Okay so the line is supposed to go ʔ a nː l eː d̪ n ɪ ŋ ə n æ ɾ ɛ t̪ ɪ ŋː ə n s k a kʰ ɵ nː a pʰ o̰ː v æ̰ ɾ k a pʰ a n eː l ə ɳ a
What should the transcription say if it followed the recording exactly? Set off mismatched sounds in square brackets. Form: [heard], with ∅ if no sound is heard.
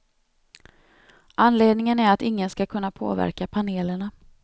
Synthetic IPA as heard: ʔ a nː l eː d̪ n ɪ ŋ ə n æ ɾ [a] t̪ ɪ ŋː ə n s k a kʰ ɵ nː a pʰ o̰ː v æ̰ ɾ k a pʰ a n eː l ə ɳ a